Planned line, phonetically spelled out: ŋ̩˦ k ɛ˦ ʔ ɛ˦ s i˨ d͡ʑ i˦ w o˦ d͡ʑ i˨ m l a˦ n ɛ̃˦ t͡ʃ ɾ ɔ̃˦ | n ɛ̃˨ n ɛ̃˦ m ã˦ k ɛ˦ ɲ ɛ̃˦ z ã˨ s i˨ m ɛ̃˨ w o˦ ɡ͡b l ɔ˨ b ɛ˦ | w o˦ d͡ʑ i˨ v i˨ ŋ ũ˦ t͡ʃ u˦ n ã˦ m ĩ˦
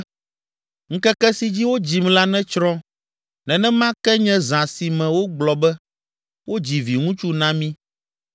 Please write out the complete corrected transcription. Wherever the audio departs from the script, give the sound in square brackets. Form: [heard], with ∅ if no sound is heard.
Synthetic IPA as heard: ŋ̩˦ k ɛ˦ [k] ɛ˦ s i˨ d͡ʑ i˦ w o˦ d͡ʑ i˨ m l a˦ n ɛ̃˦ t͡ʃ ɾ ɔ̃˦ | n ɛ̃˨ n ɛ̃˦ m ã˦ k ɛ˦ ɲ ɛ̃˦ z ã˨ s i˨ m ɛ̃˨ w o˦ ɡ͡b l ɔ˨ b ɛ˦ | w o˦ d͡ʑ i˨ v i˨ ŋ ũ˦ t͡ʃ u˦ n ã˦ m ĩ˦

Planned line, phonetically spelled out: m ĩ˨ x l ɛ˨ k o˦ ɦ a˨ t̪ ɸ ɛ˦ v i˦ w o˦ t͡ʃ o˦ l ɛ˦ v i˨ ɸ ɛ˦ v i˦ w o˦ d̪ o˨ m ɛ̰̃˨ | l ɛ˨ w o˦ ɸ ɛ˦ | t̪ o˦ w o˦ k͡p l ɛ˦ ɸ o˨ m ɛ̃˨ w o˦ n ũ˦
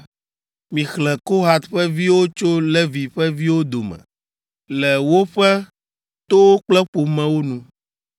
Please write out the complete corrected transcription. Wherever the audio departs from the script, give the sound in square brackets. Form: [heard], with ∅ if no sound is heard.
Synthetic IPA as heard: m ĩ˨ x l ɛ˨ k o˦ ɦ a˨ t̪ ɸ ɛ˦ v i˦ w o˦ t͡ʃ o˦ l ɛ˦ v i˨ ɸ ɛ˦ v i˦ w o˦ d̪ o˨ m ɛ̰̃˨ | l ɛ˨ w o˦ ɸ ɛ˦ | t̪ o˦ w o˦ k͡p l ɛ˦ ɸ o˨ m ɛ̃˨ w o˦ n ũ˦

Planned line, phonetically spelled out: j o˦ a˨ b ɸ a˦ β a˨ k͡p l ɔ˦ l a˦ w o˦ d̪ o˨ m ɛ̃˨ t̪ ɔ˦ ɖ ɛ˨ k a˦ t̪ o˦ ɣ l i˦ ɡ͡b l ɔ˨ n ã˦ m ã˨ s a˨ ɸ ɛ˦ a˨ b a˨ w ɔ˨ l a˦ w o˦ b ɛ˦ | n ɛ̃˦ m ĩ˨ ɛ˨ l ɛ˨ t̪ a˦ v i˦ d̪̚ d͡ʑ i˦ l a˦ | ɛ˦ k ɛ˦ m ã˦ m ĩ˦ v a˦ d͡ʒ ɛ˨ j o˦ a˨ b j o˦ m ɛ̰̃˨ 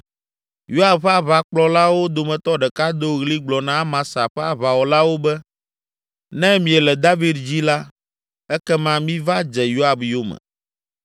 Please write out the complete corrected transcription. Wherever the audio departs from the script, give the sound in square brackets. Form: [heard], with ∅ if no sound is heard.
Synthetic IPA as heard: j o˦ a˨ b ɸ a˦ β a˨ k͡p l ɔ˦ l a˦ w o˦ d̪ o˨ m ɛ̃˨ t̪ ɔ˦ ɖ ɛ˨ k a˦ [d̪] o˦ ɣ l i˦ ɡ͡b l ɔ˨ n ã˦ m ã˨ s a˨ ɸ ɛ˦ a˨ [β] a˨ w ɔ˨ l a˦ w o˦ b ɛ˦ | n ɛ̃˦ m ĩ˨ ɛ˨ l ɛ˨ [d̪] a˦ v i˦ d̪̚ d͡ʑ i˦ l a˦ | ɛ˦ k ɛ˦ m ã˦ m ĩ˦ v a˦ d͡ʒ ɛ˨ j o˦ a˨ b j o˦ m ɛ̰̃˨

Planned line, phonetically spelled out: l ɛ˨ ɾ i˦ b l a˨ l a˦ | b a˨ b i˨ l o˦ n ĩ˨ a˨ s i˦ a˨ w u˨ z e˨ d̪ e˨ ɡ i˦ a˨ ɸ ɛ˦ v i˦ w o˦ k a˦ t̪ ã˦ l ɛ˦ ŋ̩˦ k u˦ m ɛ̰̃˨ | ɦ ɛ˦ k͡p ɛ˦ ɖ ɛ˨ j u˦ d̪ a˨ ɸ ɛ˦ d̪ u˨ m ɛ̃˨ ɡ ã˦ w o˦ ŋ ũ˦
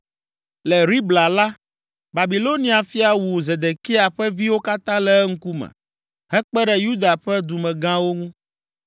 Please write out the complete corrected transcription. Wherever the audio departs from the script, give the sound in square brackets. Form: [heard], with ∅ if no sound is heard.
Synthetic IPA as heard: l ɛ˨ ɾ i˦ b l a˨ l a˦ | b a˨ b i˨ l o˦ n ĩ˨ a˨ [f] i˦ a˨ w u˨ z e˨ d̪ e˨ [k] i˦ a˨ ɸ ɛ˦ v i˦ w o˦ k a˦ t̪ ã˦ l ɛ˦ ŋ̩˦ k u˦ m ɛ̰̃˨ | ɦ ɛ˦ k͡p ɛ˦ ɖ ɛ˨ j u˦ d̪ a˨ ɸ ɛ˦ d̪ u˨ m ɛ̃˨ ɡ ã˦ w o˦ ŋ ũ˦

